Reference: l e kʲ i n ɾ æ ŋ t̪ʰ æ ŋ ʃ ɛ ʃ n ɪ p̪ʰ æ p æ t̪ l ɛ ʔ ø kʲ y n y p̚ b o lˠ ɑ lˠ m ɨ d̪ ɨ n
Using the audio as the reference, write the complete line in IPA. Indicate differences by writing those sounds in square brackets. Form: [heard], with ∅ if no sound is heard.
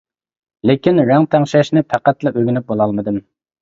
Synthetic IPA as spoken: l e kʲ i n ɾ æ ŋ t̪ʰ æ ŋ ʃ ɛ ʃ n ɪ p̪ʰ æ [q] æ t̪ l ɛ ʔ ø [ɡʲ] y n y p̚ b o lˠ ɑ lˠ m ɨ d̪ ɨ [m]